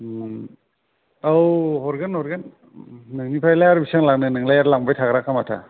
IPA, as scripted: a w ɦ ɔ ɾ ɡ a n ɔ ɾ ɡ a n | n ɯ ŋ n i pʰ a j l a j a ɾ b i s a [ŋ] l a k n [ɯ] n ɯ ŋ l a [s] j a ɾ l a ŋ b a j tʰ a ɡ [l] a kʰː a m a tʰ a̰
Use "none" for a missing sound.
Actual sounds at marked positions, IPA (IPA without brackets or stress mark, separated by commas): ŋ, ɯ, none, ɾ